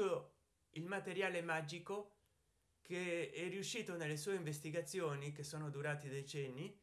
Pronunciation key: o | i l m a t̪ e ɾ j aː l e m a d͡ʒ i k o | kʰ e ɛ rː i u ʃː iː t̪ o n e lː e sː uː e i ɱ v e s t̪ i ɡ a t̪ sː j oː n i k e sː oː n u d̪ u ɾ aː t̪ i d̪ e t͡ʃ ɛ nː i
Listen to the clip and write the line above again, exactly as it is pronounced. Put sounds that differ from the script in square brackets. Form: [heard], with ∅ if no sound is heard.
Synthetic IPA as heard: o | i l m a t̪ e ɾ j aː l e m a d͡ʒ i k o | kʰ e ɛ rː i u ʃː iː t̪ o n e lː e [s] uː e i ɱ v e s t̪ i ɡ a t̪ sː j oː n i k e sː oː n [o] d̪ u ɾ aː t̪ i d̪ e t͡ʃ ɛ nː i